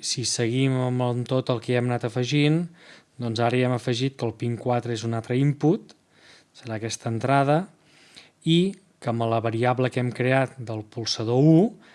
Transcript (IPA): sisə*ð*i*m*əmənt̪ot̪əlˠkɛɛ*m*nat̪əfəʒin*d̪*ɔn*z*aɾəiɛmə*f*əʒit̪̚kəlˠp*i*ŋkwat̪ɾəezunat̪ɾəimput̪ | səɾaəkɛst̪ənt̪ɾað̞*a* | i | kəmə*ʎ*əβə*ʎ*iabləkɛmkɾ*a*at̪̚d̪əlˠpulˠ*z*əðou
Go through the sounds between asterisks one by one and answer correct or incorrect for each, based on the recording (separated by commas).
incorrect, correct, correct, correct, correct, correct, correct, incorrect, incorrect, incorrect, incorrect, incorrect